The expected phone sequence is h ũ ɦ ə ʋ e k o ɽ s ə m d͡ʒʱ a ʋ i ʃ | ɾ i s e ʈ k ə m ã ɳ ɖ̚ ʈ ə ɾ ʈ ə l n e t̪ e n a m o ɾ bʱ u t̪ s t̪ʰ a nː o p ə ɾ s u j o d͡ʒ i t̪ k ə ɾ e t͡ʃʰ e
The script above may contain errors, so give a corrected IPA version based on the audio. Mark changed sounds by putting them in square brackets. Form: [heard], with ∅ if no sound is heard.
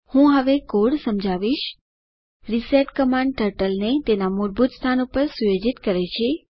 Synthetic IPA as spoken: h ũ ɦ ə ʋ e k o ɽ s ə m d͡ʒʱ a ʋ i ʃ | ɾ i s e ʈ k ə m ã ɳ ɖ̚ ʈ ə ɾ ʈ ə l n e t̪ e n a m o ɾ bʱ u t̪ s t̪ʰ a [n] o p ə ɾ s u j o d͡ʒ i t̪ k ə ɾ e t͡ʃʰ e